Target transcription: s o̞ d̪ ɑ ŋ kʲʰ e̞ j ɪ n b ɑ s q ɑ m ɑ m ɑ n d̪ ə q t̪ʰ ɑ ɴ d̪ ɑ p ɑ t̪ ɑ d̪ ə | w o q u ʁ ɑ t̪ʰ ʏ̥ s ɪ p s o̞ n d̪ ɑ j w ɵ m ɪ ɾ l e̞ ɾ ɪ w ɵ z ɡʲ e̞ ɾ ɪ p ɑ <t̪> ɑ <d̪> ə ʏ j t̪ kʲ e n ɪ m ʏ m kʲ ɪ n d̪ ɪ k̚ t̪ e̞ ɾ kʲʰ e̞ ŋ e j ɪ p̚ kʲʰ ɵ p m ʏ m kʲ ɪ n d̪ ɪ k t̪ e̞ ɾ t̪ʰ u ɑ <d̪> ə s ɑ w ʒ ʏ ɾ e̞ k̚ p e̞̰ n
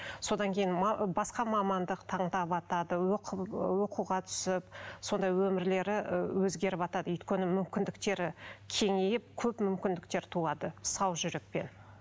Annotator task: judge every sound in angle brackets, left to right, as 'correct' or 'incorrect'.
correct, correct, correct

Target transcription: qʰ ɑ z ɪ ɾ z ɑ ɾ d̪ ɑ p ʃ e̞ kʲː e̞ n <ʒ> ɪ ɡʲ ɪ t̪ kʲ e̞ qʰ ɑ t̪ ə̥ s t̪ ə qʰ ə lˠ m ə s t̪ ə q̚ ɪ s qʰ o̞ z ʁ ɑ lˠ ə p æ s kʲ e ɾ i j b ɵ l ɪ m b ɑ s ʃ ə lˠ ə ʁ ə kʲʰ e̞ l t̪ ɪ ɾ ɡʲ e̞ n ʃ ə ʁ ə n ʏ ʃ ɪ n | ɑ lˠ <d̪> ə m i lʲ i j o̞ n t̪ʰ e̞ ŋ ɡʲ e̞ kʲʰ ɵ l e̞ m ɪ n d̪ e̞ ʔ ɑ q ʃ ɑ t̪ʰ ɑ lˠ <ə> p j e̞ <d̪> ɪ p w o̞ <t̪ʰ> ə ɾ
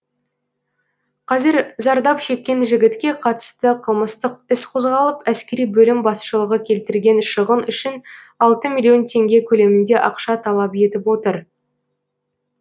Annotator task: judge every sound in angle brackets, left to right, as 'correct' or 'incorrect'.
correct, incorrect: t̪, incorrect: ɑ, incorrect: t̪, incorrect: t̪

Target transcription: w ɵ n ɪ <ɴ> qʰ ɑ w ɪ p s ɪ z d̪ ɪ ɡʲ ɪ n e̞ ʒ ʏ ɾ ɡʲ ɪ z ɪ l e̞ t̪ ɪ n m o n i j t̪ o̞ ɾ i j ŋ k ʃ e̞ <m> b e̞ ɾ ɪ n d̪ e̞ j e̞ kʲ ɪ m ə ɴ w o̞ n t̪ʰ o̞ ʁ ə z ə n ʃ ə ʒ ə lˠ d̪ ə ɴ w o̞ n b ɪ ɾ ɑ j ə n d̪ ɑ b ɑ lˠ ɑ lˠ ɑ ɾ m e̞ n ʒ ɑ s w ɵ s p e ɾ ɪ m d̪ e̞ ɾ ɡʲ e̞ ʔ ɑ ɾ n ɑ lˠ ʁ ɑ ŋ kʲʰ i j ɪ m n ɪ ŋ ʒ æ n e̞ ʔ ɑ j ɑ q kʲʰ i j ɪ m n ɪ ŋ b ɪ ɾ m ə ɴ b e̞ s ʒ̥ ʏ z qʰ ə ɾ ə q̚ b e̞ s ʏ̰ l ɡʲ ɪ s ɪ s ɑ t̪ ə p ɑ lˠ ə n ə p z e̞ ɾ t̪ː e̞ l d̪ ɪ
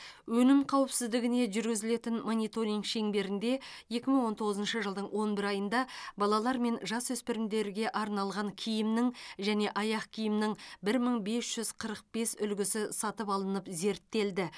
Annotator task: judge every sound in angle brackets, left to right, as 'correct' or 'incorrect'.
incorrect: m, incorrect: ŋ

